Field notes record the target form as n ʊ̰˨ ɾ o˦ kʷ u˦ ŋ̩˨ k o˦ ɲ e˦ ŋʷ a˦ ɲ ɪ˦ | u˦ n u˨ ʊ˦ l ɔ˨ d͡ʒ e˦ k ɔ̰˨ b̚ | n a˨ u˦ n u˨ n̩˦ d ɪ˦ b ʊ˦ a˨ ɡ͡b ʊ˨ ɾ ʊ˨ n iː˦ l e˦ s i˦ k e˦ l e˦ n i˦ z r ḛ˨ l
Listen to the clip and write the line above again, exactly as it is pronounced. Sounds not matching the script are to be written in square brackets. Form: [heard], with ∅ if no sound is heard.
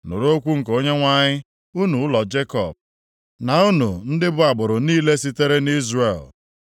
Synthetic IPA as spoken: n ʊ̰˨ ɾ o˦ kʷ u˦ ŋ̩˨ k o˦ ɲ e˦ ŋʷ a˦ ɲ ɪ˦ | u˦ n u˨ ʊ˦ l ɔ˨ d͡ʒ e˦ k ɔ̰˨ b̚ | n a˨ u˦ n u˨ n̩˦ d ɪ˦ b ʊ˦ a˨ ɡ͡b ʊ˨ ɾ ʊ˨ n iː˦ l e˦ s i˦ [t] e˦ [ɾ] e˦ n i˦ z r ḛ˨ l